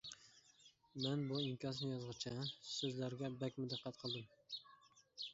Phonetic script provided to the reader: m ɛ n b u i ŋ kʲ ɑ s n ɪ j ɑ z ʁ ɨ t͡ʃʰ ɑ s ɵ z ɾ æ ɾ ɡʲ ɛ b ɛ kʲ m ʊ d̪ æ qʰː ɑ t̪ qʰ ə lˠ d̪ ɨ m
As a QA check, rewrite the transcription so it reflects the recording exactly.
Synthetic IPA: m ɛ n b u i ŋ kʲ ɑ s n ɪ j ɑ z ʁ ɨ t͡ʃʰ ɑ s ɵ z l æ ɾ ɡʲ ɛ b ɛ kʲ m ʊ d̪ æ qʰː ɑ t̪ qʰ ə lˠ d̪ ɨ m